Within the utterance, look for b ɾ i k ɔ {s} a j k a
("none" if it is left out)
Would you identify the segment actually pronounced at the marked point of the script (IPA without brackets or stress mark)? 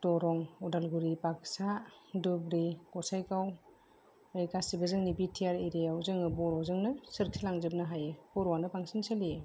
s